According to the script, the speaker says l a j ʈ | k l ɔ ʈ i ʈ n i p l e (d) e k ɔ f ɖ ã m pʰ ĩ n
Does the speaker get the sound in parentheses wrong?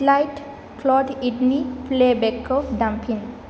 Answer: yes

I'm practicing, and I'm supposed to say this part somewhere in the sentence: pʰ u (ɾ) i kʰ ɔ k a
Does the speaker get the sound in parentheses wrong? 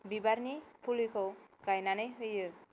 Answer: yes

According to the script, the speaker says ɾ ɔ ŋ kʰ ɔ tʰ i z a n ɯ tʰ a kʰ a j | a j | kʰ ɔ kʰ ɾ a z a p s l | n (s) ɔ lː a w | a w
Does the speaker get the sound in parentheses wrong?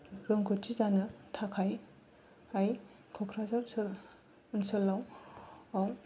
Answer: no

